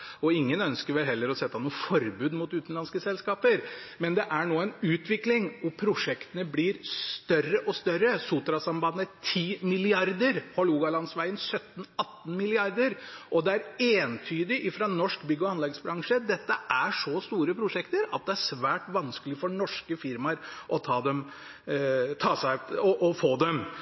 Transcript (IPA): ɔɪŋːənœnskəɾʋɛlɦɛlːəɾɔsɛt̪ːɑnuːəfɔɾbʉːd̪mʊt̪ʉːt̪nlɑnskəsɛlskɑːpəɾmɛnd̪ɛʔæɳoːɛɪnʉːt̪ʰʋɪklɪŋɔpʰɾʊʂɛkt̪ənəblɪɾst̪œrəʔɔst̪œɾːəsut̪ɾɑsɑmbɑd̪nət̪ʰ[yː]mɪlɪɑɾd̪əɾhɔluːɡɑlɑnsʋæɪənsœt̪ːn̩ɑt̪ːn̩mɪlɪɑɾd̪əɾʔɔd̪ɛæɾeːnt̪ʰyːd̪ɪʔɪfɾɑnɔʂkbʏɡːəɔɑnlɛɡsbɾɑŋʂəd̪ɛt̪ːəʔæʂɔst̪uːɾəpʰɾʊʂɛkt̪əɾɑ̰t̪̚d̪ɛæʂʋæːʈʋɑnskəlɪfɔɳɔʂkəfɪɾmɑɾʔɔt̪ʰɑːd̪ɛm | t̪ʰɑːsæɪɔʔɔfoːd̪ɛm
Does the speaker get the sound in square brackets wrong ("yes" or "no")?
yes